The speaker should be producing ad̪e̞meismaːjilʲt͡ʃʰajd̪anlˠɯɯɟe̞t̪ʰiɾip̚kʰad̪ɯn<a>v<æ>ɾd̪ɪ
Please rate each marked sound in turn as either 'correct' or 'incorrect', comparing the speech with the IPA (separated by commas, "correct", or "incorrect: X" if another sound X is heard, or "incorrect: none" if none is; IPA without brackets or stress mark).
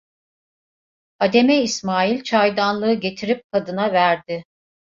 correct, correct